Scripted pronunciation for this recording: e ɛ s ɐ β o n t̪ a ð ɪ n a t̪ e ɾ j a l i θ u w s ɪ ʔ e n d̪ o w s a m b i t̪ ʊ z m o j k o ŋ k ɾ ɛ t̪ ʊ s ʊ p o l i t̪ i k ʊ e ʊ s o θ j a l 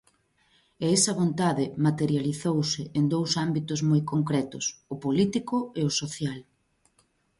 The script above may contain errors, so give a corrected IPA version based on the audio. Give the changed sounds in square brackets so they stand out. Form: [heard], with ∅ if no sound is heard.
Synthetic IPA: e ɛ s ɐ β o n t̪ a ð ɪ [m] a t̪ e ɾ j a l i θ [o] w s ɪ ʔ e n d̪ o w s a m b i t̪ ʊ z m o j k o ŋ k ɾ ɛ t̪ ʊ s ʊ p o l i t̪ i k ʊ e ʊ s o θ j a l